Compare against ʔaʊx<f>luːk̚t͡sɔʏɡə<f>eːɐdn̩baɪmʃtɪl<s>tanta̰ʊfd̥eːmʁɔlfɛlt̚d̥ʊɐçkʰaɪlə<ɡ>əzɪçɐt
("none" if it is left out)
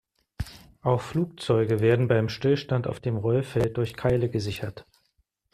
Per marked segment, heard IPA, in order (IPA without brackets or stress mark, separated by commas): f, v, ʃ, ɡ